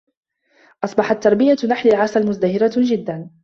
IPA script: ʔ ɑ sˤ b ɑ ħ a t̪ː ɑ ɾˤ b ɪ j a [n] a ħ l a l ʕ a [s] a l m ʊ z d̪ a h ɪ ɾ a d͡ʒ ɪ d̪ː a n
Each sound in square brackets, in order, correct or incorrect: correct, correct

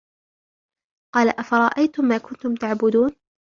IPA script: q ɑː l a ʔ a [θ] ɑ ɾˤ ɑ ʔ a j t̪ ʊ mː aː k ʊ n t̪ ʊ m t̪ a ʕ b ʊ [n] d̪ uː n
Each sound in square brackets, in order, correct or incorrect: incorrect, incorrect

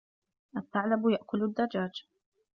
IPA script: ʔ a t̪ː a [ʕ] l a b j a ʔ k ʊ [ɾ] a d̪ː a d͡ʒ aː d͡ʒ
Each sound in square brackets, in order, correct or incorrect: correct, incorrect

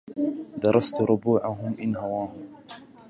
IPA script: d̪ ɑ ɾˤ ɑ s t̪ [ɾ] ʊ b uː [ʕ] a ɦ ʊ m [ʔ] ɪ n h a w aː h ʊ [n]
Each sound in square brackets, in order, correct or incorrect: correct, correct, correct, incorrect

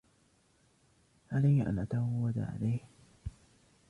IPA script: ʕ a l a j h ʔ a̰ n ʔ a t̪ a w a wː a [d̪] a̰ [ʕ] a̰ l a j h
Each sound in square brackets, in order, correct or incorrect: correct, correct

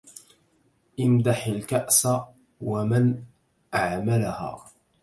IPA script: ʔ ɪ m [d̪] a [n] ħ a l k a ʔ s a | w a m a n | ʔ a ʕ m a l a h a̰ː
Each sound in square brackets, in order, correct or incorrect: correct, incorrect

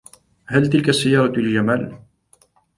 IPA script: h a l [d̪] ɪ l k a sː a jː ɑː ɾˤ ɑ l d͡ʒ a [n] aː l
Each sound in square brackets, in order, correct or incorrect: incorrect, incorrect

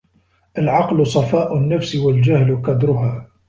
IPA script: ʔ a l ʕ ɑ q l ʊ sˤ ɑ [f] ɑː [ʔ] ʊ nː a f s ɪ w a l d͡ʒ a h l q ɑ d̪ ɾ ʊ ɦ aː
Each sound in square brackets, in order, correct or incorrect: correct, correct

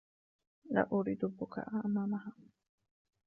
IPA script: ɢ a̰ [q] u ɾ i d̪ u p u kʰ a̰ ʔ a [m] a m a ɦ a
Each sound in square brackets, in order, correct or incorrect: incorrect, correct

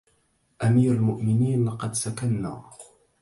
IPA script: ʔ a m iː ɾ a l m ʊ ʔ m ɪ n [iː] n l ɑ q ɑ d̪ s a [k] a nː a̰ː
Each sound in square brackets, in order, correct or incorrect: correct, correct

